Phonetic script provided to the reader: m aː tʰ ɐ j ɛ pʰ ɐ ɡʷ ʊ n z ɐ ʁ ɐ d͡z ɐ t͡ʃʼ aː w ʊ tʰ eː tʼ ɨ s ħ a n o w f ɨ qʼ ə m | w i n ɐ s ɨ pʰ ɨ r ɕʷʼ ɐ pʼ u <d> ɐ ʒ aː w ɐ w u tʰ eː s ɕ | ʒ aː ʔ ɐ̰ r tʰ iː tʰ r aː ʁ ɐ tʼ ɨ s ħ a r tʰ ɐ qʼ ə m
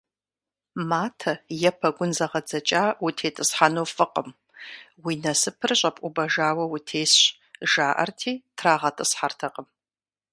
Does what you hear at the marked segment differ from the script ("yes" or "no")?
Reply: yes